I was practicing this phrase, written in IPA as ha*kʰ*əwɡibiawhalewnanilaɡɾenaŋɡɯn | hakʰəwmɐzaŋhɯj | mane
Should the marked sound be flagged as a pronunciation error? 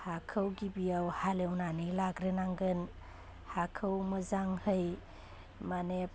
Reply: no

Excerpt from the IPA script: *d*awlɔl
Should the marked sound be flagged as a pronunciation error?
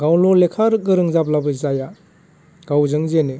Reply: yes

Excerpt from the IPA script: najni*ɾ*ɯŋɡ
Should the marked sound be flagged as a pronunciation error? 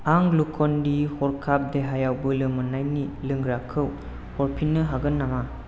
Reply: yes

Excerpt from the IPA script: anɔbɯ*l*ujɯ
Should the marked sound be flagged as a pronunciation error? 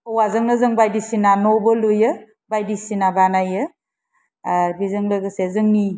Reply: no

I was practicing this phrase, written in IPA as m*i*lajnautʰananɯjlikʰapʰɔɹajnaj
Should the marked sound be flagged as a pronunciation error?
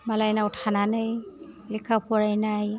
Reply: yes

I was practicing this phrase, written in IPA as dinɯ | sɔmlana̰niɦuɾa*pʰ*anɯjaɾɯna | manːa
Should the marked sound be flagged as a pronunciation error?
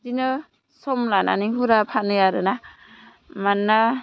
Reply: no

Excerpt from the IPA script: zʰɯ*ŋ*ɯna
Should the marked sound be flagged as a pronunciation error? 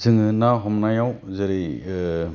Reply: no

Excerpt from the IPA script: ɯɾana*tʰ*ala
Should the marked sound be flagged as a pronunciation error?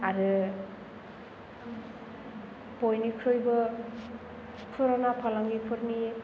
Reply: yes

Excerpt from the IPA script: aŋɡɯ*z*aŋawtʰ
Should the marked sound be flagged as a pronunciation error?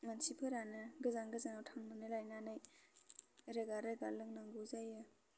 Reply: no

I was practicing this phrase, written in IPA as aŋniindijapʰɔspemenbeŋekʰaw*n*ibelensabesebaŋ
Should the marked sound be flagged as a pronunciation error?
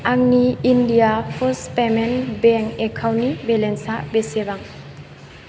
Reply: no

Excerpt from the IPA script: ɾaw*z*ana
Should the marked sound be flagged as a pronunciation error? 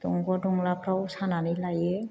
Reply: yes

